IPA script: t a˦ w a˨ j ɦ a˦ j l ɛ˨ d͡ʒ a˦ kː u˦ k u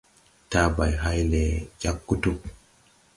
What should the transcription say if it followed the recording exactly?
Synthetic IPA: t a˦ b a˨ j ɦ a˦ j l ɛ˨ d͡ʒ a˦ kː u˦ t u